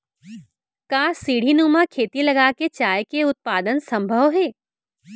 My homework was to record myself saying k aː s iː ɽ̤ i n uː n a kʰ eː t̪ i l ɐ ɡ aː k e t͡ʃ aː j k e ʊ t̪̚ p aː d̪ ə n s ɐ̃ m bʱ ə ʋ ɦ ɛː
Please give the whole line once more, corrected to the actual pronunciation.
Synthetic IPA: k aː s iː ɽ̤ i n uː m a kʰ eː t̪ i l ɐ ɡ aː k e t͡ʃ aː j k e ʊ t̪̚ p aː d̪ ə n s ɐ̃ m bʱ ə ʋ ɦ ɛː